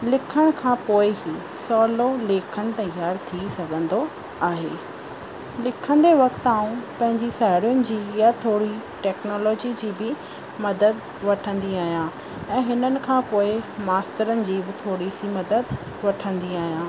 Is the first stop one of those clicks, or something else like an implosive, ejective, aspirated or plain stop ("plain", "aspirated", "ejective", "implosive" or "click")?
aspirated